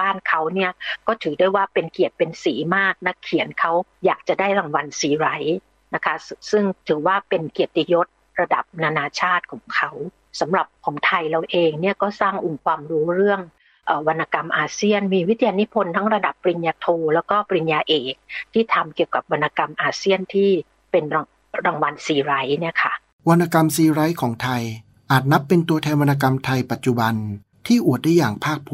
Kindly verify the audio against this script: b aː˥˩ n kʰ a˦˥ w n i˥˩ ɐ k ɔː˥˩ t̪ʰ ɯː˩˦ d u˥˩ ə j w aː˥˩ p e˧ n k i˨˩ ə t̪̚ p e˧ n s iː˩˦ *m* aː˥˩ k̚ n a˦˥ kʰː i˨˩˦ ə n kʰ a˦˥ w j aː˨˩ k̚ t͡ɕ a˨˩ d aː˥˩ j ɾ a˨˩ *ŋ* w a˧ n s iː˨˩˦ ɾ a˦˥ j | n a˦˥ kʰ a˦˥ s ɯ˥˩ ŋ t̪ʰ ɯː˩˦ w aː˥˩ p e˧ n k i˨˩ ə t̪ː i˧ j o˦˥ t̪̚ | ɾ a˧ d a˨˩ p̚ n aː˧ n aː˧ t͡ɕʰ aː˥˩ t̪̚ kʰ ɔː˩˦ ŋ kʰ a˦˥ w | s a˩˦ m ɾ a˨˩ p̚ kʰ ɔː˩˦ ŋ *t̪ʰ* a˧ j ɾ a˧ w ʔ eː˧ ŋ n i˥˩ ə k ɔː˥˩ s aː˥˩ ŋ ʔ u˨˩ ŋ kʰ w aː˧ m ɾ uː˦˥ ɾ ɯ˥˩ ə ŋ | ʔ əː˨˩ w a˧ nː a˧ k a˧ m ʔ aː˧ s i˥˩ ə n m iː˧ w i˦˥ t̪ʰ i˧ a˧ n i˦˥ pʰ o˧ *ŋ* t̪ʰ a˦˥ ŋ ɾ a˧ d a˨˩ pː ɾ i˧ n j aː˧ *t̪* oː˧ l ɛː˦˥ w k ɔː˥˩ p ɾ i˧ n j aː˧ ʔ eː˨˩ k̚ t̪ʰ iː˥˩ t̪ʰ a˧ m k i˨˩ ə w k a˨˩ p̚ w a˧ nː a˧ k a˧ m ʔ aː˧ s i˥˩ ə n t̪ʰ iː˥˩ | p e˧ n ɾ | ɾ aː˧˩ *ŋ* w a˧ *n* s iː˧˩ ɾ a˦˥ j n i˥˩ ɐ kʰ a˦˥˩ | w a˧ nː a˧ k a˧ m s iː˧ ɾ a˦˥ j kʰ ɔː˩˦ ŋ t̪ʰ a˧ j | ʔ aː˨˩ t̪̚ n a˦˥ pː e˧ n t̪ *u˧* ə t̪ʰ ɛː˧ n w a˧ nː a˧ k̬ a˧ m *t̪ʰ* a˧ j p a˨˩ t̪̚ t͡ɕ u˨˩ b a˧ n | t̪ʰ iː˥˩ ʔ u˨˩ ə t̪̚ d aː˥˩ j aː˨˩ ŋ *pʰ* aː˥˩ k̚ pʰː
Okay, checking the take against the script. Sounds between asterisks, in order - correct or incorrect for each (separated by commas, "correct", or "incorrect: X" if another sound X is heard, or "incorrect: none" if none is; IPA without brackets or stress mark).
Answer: correct, correct, correct, incorrect: n, incorrect: t̪ʰ, correct, correct, correct, correct, correct